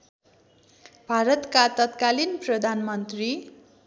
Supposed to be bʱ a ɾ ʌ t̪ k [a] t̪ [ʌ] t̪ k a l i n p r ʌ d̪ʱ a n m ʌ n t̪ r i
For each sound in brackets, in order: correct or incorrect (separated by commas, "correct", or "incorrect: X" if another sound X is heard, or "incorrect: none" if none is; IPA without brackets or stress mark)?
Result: correct, correct